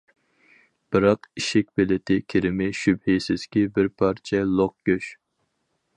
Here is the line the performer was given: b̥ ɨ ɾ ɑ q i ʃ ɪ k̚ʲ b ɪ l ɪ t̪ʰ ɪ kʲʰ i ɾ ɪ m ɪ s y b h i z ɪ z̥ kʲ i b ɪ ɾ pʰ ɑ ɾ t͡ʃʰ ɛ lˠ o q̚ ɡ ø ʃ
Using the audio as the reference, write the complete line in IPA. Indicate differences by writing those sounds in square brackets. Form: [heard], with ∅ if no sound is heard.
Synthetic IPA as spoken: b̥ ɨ ɾ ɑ q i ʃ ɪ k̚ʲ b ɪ l ɪ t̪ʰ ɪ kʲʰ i ɾ ɪ m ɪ [ʃ] y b h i [s] ɪ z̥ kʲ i b ɪ ɾ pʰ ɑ ɾ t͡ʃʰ ɛ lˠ o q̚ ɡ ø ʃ